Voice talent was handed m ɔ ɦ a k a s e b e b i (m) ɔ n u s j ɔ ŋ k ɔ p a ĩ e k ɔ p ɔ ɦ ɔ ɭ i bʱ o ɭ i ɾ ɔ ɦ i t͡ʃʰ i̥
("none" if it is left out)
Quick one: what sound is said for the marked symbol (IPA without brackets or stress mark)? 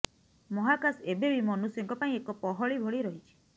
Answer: m